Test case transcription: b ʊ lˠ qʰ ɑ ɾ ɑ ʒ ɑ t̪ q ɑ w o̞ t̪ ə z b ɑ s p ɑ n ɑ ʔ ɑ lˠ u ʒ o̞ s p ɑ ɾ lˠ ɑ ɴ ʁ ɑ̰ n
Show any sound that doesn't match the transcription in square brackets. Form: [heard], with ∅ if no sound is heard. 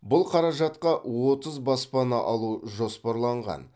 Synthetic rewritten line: b ʊ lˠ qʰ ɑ ɾ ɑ ʒ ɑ t̪ q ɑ w o̞ t̪ ə z b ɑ s p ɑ n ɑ ʔ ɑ lˠ u ʒ o̞ s p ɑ ɾ lˠ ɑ ɴ ʁ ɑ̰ n